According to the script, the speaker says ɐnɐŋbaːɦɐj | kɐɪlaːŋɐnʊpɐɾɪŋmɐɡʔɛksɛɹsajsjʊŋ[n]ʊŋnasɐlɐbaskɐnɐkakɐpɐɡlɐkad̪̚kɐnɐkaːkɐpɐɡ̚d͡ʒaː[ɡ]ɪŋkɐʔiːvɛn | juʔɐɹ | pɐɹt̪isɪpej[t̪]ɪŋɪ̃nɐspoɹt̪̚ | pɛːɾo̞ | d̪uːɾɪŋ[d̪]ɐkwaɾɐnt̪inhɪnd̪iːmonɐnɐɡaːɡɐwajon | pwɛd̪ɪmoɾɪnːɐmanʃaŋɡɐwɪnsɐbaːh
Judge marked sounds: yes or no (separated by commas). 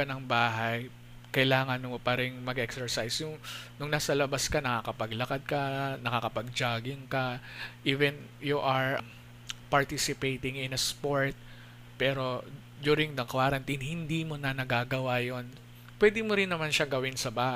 yes, yes, yes, yes